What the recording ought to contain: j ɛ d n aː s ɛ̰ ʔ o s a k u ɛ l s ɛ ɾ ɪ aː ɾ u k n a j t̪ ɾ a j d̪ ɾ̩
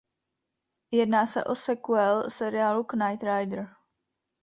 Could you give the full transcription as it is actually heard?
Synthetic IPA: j ɛ d n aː s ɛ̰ ʔ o s ɛ k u ɛ l s ɛ ɾ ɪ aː l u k n a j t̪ ɾ a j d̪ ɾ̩